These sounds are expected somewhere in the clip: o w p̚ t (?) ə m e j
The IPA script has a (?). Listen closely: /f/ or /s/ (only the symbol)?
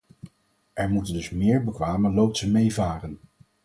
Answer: s